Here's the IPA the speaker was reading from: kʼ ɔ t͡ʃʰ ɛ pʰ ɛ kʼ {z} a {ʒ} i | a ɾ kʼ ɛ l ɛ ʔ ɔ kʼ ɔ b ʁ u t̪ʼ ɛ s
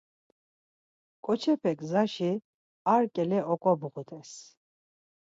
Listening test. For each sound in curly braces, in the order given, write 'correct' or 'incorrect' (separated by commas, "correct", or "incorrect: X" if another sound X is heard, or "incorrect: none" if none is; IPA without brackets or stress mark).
correct, incorrect: ʃ